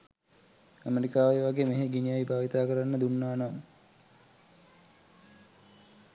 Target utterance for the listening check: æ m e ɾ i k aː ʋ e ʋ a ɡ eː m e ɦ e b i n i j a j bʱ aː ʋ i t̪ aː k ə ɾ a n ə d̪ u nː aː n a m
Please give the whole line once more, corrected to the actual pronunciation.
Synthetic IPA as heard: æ m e ɾ i k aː ʋ e ʋ a ɡ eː m e ɦ e ɡ i n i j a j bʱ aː ʋ i t̪ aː k ə ɾ a nː ə d̪ u nː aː n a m